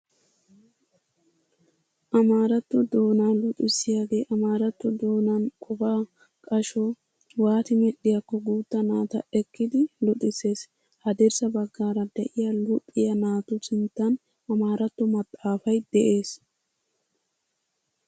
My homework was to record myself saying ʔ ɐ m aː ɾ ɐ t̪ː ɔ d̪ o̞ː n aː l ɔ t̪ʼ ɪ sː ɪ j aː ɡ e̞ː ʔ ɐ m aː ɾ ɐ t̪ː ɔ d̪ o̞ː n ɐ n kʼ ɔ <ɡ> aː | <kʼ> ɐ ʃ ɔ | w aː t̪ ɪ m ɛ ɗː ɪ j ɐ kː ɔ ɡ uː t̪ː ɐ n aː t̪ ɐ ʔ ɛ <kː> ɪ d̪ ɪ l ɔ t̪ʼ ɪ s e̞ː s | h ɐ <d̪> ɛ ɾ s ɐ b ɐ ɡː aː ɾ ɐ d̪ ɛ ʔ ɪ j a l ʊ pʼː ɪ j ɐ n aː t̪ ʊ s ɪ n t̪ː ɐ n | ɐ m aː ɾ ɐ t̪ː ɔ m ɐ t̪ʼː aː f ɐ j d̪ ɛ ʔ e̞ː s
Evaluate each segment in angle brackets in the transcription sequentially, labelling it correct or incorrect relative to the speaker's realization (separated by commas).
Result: incorrect, correct, correct, correct